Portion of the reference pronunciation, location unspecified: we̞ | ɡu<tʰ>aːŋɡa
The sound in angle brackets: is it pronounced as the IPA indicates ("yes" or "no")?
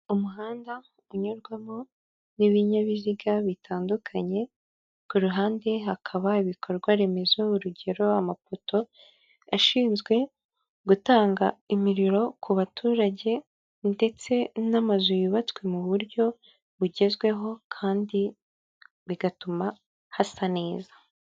no